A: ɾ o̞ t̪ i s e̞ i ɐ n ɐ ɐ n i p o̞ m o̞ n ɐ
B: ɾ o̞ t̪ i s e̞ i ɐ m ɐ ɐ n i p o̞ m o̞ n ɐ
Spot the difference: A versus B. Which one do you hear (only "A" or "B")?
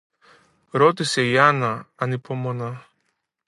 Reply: A